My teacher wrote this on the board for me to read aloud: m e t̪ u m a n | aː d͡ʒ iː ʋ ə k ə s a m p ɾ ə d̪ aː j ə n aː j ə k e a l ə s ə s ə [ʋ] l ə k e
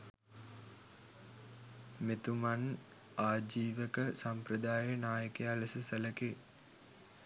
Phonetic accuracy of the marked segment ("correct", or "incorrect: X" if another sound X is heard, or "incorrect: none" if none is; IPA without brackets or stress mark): incorrect: none